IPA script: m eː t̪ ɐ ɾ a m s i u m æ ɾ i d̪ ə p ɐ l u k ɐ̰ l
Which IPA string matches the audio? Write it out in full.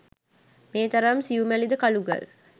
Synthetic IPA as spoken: m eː t̪ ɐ ɾ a m s i u m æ l i d̪ ə k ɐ l u ɡ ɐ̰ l

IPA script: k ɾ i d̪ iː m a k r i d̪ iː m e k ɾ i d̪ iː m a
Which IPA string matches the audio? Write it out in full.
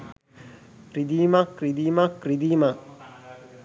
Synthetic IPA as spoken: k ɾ i d̪ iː m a k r i d̪ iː m a k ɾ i d̪ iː m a

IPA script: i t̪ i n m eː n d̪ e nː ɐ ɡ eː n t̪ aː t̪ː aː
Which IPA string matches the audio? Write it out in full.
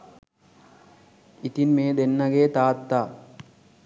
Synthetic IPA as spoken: i t̪ i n m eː d̪ e nː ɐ ɡ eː t̪ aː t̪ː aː

